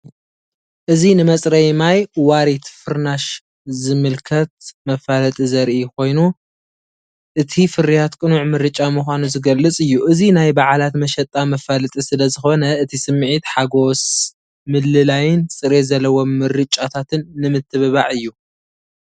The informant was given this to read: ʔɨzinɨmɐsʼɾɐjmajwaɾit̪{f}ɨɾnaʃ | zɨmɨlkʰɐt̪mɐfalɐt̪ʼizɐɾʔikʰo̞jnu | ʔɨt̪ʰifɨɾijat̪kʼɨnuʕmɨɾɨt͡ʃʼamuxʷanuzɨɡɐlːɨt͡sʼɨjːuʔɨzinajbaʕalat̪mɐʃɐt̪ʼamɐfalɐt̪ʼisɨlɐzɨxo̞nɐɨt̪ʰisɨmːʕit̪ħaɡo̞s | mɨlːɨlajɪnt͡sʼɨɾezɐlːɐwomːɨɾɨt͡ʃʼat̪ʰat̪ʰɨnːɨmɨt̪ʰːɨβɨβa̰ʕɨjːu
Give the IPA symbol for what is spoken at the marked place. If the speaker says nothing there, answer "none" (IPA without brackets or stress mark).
f